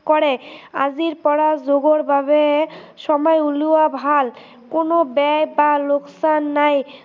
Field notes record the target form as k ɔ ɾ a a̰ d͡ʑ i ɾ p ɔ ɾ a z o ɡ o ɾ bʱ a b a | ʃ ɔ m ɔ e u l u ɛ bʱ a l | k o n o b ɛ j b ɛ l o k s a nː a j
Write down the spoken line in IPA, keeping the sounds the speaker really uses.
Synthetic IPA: k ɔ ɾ e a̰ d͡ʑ i ɾ p ɔ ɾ a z o ɡ o ɾ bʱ a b e | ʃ ɔ m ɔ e u l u a bʱ a l | k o n o b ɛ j b a l o k s a nː a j